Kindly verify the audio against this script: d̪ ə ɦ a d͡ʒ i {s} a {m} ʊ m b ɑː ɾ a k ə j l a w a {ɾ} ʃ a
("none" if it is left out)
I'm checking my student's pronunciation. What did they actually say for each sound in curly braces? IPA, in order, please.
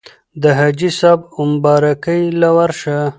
s, b, ɾ

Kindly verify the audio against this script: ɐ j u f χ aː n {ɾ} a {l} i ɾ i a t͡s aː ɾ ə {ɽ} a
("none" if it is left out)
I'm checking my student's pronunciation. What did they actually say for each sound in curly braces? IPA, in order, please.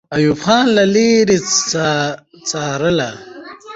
l, l, l

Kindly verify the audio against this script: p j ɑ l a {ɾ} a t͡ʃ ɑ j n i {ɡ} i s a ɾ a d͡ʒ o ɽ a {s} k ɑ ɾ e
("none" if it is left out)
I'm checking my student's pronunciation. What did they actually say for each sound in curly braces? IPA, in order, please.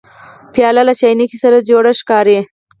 l, k, ʃ

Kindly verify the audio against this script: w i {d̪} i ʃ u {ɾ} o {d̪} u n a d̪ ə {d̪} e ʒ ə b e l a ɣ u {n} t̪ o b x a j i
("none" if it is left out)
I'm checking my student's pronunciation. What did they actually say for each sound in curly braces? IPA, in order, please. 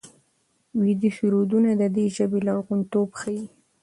d̪, ɾ, d̪, d̪, n

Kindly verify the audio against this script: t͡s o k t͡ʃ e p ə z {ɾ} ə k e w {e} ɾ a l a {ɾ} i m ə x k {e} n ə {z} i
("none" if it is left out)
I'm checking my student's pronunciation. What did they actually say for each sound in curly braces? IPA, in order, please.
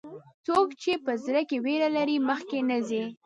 ɾ, e, ɾ, e, z

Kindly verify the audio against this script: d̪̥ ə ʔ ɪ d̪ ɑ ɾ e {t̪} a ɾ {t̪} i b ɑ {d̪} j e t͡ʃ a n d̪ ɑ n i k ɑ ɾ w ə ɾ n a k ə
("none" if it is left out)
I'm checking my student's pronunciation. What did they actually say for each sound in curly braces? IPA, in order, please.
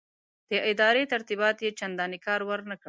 t̪, t̪, t̪

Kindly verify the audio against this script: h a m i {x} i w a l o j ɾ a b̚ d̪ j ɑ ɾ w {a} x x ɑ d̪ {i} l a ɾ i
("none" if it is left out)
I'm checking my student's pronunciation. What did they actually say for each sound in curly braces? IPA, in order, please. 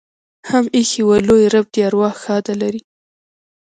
x, ɑ, a

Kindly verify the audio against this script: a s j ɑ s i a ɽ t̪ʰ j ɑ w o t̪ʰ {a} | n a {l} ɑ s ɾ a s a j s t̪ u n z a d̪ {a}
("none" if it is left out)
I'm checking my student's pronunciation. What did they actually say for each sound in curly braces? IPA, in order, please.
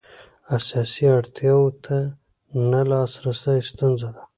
a, l, a

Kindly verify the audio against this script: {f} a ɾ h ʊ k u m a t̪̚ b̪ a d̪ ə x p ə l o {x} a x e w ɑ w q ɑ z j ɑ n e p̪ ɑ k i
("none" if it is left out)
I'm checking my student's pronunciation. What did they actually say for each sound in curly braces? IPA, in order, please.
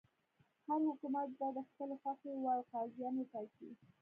h, x

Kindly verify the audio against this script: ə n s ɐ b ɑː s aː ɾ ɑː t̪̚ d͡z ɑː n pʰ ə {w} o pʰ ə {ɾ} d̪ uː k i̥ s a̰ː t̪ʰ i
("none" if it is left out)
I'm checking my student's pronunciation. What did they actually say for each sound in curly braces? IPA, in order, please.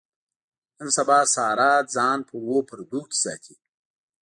w, ɾ

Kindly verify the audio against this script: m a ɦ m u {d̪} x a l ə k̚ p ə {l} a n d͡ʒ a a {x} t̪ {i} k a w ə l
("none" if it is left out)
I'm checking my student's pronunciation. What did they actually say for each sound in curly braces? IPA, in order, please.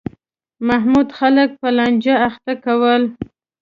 d̪, l, x, a

